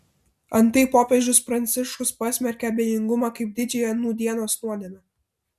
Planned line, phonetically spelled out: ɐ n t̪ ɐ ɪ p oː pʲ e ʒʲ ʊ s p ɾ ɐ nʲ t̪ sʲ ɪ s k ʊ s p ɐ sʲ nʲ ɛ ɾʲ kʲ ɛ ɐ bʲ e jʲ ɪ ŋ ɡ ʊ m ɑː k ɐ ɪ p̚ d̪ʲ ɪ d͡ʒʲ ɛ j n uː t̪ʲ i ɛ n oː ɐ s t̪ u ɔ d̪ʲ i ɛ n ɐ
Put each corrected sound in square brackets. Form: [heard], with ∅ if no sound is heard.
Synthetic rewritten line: ɐ n t̪ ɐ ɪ p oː pʲ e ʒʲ ʊ s p ɾ ɐ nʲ t̪ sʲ ɪ [ʃ] k ʊ s p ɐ sʲ [mʲ] ɛ ɾʲ kʲ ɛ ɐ bʲ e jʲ ɪ ŋ ɡ ʊ m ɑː k ɐ ɪ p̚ d̪ʲ ɪ d͡ʒʲ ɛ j n uː [d̪ʲ] i ɛ n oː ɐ s t̪ u ɔ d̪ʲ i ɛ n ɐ